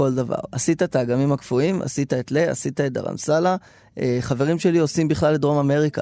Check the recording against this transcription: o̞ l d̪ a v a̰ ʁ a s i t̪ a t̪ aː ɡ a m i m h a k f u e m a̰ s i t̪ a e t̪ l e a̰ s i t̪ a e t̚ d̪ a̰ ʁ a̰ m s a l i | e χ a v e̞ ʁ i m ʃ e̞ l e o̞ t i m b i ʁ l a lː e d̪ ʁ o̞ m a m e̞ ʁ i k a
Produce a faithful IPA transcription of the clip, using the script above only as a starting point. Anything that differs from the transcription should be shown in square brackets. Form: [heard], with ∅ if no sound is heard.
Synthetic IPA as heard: o̞ l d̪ a v a̰ ʁ a s i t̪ a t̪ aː ɡ a m i m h a k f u [i] m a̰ s i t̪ a e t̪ l e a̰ s i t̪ a e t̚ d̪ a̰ ʁ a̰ m s a l [a] | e χ a v e̞ ʁ i m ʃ e̞ l [i] o̞ [s] i m b i [χ] l a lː e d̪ ʁ o̞ m a m e̞ ʁ i k a